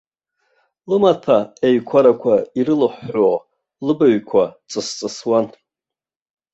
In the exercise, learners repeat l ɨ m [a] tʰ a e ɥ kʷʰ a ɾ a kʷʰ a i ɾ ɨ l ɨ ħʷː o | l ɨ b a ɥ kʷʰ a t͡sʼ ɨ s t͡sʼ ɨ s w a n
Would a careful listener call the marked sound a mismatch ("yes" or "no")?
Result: no